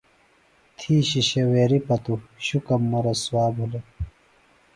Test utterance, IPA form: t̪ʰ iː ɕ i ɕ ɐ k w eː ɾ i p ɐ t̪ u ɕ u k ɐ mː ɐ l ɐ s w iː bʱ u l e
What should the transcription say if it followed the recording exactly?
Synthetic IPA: t̪ʰ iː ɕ i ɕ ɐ w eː ɾ i p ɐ t̪ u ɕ u k ɐ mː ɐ ɾ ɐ s w aː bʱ u l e